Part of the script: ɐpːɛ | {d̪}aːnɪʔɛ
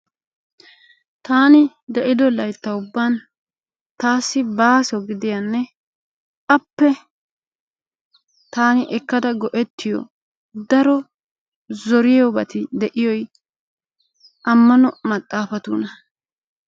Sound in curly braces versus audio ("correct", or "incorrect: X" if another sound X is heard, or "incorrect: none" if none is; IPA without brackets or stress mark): incorrect: t̪